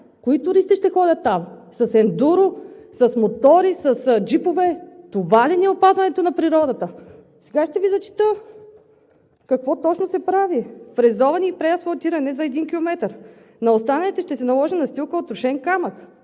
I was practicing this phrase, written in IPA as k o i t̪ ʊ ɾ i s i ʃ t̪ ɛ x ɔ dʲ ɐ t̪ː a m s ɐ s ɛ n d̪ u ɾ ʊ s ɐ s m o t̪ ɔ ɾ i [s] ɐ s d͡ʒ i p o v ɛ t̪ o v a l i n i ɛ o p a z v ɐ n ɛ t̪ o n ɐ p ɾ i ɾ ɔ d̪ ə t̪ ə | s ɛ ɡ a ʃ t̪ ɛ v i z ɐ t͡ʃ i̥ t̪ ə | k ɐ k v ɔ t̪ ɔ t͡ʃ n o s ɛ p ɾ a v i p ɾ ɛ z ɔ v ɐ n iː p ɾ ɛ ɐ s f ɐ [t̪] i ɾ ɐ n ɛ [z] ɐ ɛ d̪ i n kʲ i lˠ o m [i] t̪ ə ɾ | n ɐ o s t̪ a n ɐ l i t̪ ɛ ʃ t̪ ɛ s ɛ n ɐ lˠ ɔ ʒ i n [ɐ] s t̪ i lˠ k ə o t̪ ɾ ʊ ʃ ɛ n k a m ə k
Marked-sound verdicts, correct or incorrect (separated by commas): correct, correct, correct, incorrect, correct